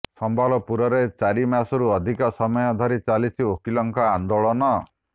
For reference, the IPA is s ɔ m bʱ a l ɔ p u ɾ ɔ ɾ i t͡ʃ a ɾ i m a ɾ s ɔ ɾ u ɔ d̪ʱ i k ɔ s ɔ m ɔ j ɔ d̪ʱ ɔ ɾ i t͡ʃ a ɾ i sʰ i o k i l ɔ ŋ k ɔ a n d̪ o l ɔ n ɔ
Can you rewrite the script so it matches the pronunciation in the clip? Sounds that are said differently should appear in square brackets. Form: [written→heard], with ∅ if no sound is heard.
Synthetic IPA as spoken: s ɔ m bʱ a l ɔ p u ɾ ɔ ɾ [i→e] t͡ʃ a ɾ i m a [ɾ→∅] s ɔ ɾ u ɔ d̪ʱ i k ɔ s ɔ m ɔ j ɔ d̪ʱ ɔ ɾ i t͡ʃ a [ɾ→l] i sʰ i o k i l ɔ ŋ k ɔ a n d̪ o [l→ɭ] ɔ n ɔ